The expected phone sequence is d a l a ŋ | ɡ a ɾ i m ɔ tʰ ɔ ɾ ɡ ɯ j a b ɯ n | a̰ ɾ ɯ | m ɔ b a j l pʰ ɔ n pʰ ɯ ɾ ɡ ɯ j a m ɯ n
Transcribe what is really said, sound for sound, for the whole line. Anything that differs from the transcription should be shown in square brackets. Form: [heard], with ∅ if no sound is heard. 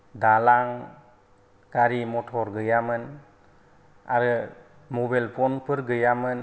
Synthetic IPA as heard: d a l a ŋ | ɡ a ɾ i m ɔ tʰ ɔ ɾ ɡ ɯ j a [m] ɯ n | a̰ ɾ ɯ | m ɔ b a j l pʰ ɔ n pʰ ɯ ɾ ɡ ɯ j a m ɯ n